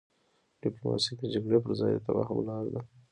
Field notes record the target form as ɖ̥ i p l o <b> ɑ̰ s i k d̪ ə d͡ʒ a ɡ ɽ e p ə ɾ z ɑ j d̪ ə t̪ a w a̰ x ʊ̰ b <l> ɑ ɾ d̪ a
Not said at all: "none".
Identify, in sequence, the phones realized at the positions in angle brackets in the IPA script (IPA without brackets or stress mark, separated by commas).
m, l